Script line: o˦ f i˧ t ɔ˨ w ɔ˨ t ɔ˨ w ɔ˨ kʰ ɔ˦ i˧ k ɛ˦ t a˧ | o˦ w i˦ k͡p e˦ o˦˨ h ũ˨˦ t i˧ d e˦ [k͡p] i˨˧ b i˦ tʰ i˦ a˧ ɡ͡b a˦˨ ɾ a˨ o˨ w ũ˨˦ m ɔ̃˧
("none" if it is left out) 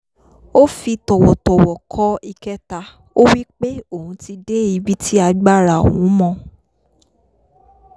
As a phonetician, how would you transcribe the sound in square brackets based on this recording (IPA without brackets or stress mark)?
none